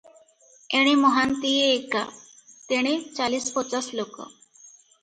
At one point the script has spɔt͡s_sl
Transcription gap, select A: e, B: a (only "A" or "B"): B